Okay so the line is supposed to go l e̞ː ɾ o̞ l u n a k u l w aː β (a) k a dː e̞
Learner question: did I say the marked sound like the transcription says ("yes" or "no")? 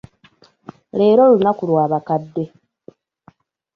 yes